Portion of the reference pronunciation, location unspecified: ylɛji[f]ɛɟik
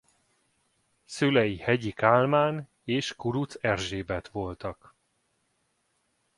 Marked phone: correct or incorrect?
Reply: incorrect: h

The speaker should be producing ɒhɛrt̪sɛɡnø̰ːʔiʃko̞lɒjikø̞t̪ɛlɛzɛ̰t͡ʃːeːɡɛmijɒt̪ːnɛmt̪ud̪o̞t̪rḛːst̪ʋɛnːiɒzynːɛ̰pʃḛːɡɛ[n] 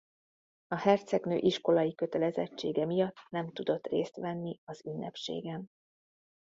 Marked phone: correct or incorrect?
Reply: correct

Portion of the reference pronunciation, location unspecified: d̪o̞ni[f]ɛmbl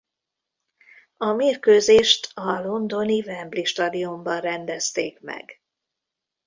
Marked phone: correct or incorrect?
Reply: incorrect: v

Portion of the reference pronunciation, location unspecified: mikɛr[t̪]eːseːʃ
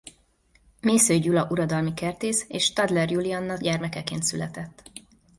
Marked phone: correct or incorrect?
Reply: correct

